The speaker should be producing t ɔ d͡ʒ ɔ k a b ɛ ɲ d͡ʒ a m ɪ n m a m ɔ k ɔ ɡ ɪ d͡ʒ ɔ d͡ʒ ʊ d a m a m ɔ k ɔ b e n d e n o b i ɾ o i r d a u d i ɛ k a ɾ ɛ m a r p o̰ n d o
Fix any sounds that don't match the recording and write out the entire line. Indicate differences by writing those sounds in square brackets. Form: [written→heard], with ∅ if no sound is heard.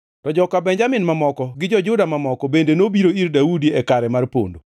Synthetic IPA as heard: t ɔ d͡ʒ ɔ k a b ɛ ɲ d͡ʒ a m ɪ n m a m ɔ k ɔ ɡ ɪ d͡ʒ ɔ d͡ʒ ʊ d a m a m ɔ k ɔ b e n d e n o b i ɾ o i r d a u d i ɛ k a ɾ ɛ m a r p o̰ n d o